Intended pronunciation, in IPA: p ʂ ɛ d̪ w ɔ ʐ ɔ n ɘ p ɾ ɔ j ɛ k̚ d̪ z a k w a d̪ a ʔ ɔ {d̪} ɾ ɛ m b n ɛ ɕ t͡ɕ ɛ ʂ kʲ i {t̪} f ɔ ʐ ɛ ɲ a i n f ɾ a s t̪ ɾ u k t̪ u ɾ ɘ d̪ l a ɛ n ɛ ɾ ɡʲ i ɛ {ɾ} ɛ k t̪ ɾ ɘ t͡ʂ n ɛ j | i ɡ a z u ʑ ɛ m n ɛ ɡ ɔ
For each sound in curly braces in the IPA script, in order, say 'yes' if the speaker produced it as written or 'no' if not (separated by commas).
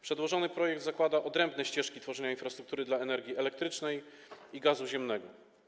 yes, yes, no